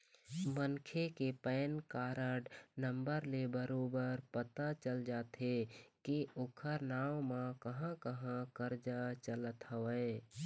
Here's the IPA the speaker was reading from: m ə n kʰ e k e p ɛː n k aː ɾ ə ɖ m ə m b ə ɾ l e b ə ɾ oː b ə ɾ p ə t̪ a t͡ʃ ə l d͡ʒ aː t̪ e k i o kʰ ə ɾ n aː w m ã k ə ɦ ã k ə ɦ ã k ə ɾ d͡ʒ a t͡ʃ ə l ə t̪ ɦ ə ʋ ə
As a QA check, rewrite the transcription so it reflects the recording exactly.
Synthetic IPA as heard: m ə n kʰ e k e p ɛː n k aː ɾ ə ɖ n ə m b ə ɾ l e b ə ɾ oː b ə ɾ p ə t̪ a t͡ʃ ə l d͡ʒ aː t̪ e k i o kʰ ə ɾ n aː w m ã k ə ɦ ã k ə ɦ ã k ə ɾ d͡ʒ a t͡ʃ ə l ə t̪ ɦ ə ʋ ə